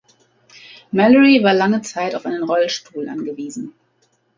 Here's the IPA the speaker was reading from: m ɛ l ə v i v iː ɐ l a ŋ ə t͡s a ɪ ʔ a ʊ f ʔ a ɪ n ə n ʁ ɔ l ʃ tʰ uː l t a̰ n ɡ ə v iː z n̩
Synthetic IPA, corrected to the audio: m ɛ l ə ʁ i v aː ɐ l a ŋ ə t͡s a ɪ t a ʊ f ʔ a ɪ n ə n ʁ ɔ l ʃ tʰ uː l ʔ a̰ n ɡ ə v iː z n̩